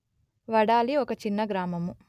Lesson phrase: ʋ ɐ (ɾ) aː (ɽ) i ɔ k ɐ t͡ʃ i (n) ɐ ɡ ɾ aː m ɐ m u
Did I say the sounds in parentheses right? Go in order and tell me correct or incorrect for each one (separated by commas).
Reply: incorrect, incorrect, incorrect